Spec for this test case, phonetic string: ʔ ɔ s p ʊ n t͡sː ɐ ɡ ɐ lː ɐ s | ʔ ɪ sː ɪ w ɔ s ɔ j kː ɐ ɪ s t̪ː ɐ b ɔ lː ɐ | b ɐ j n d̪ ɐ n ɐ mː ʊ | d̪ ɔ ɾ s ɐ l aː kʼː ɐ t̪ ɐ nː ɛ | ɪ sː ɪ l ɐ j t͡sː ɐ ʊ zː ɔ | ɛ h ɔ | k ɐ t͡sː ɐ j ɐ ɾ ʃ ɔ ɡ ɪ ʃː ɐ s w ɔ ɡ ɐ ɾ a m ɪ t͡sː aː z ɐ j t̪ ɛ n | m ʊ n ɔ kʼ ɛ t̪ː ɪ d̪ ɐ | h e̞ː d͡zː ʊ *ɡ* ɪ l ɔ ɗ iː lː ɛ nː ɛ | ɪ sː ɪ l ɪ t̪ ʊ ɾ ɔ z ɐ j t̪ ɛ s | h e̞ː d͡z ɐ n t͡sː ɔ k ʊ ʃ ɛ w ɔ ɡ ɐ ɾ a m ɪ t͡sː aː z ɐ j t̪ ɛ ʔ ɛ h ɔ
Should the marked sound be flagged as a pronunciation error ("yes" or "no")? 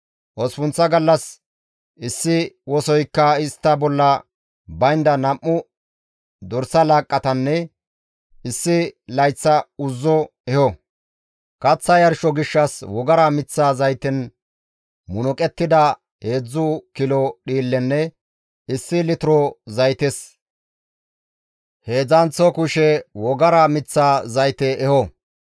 yes